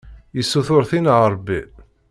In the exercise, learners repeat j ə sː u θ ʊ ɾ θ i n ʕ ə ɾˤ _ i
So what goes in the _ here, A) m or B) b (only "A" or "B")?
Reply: B